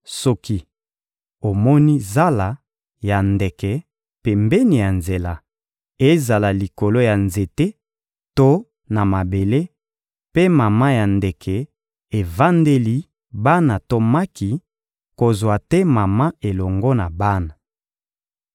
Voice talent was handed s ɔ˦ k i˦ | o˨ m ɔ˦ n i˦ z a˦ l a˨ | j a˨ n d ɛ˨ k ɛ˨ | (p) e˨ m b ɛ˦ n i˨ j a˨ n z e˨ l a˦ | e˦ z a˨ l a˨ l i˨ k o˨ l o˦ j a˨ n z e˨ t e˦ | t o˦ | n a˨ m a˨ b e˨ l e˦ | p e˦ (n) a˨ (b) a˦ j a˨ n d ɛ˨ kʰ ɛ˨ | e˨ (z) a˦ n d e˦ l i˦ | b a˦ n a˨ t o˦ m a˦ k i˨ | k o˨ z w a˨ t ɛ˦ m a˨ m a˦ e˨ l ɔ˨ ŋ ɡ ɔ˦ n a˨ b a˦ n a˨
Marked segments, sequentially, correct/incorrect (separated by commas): correct, incorrect, incorrect, incorrect